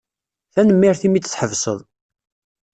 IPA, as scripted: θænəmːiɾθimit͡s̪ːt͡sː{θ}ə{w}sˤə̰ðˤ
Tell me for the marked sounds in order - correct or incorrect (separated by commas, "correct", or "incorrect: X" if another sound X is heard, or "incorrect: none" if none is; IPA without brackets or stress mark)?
incorrect: ħ, incorrect: v